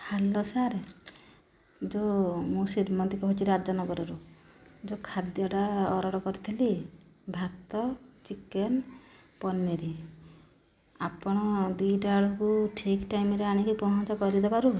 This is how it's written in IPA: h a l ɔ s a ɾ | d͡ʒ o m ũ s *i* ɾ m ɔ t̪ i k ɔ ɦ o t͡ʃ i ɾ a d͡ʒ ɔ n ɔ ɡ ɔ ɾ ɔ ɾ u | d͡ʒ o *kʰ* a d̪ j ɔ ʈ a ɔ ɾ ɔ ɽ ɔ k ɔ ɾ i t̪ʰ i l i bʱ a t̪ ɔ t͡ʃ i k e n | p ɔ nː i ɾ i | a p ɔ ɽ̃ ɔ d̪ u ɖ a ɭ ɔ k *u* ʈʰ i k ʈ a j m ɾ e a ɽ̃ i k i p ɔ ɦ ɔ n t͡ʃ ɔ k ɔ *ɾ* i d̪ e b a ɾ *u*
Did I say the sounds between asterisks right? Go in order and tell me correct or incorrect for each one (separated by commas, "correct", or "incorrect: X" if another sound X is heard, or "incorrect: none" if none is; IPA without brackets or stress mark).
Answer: correct, correct, correct, correct, correct